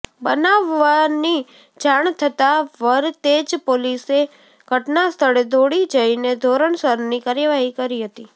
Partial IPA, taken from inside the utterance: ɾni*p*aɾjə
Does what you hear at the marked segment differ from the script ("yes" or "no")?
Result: yes